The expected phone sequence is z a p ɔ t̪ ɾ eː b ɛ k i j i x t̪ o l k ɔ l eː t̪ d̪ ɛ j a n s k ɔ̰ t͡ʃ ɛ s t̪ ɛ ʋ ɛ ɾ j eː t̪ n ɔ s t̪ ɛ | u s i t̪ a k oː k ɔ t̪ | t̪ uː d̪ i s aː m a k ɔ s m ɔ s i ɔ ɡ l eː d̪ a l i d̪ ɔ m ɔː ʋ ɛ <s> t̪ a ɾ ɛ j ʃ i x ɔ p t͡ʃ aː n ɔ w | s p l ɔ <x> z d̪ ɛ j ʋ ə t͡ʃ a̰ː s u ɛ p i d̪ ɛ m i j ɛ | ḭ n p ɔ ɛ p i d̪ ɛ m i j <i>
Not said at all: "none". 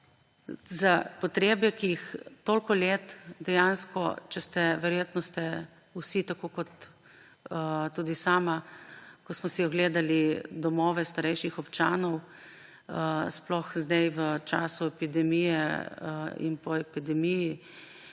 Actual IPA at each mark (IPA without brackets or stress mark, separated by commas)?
s, x, i